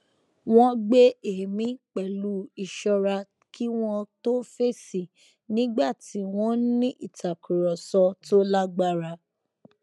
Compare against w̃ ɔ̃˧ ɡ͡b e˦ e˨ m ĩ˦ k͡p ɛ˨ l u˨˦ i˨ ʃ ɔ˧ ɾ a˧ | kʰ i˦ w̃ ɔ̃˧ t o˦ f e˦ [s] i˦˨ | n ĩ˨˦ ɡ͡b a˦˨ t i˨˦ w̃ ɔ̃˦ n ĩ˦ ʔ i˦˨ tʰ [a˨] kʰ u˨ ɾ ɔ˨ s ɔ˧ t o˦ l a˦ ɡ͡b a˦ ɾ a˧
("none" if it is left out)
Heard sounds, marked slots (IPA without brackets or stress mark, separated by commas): s, a˨